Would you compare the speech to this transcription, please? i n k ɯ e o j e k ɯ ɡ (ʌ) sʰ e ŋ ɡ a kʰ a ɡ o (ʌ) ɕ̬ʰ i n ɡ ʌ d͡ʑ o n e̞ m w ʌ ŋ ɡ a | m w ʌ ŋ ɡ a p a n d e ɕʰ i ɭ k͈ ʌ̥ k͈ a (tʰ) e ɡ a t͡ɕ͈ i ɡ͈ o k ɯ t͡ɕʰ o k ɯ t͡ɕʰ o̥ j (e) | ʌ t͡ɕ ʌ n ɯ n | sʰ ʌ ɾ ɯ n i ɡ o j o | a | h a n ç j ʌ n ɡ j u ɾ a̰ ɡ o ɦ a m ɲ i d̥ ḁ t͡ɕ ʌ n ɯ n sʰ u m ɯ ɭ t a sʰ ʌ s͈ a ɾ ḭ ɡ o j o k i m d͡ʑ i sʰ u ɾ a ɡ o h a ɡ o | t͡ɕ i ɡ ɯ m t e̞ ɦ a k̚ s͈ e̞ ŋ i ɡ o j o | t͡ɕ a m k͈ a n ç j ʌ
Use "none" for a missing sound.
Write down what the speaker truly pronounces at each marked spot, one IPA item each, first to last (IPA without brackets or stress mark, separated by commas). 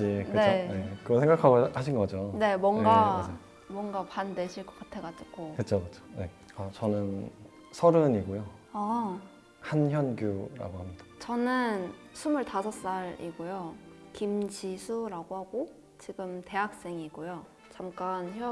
ʌ, a, tʰ, e